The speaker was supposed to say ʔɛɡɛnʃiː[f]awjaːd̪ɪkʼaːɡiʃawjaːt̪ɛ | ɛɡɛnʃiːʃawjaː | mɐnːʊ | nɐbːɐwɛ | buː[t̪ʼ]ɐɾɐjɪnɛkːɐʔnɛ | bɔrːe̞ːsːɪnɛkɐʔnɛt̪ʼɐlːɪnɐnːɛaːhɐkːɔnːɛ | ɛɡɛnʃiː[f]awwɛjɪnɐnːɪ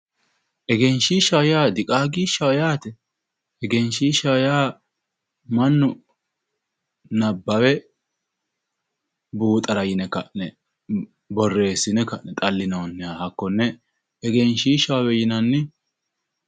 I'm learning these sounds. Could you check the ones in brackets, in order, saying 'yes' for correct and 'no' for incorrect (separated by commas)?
no, yes, no